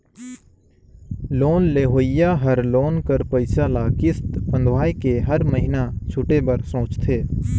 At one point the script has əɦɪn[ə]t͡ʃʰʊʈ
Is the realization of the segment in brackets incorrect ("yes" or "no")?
yes